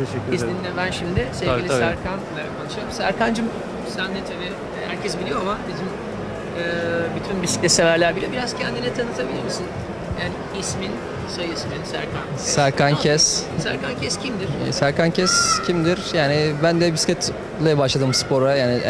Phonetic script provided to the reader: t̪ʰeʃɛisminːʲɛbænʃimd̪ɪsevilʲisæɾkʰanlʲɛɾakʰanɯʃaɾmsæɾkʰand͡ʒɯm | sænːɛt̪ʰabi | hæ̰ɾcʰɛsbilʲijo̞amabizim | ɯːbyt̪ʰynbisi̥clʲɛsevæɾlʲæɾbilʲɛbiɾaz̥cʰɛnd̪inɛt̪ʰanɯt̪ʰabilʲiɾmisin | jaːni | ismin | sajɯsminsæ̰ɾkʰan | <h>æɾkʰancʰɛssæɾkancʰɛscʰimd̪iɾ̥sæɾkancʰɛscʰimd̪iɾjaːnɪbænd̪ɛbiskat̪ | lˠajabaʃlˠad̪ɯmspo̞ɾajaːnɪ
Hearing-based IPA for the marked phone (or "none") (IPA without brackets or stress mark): s